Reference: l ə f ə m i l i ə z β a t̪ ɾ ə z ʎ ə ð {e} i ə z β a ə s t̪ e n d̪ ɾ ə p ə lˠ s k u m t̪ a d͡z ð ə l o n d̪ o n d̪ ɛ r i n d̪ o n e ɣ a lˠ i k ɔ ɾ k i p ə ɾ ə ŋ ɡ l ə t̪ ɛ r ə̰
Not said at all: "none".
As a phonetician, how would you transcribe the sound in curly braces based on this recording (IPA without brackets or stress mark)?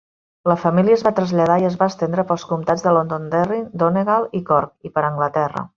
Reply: a